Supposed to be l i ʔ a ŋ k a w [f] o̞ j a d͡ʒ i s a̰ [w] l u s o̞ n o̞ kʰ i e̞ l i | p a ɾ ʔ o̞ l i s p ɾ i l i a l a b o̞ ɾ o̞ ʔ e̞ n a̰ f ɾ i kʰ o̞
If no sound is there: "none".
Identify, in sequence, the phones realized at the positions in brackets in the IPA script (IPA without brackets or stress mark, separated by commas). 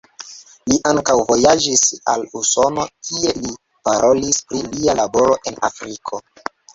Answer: v, none